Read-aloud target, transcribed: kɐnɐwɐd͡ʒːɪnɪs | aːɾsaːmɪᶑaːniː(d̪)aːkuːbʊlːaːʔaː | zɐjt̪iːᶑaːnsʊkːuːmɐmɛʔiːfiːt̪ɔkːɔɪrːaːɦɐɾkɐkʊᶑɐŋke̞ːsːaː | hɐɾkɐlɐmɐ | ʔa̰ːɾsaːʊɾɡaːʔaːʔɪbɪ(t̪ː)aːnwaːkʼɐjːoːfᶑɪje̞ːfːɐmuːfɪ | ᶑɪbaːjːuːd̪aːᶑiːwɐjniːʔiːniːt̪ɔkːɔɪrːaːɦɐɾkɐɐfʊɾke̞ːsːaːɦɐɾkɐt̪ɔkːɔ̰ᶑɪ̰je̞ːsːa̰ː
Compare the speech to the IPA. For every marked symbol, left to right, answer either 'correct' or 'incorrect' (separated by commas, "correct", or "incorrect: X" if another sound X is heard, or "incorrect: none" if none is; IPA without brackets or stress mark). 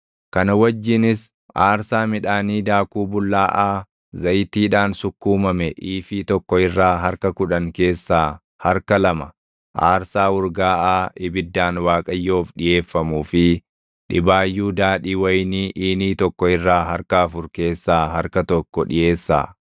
correct, incorrect: d̪ː